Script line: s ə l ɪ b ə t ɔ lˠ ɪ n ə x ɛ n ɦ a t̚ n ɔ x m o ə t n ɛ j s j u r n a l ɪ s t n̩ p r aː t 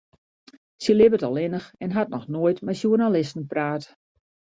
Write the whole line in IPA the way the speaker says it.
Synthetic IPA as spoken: s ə l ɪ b ə t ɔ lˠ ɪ n ə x ɛ n ɦ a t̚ n ɔ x n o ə t m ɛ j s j u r n a l ɪ s t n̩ p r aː t